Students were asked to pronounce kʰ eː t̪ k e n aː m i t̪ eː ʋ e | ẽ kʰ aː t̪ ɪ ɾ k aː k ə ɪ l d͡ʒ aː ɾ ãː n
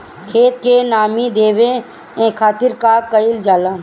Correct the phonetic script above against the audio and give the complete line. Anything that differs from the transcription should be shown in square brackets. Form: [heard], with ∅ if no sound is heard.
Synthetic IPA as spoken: kʰ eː t̪ k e n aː m i [d̪] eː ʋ e | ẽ kʰ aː t̪ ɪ ɾ k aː k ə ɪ l d͡ʒ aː [l] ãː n